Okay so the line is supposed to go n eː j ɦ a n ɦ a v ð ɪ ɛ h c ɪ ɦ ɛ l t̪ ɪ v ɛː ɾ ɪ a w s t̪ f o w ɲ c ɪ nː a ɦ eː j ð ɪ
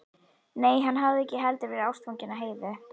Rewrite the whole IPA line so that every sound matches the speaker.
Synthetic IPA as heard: n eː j ɦ a n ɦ a v ð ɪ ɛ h c ɪ ɦ ɛ l t̪ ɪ v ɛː ɾ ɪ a w s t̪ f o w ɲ c ɪ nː a ɦ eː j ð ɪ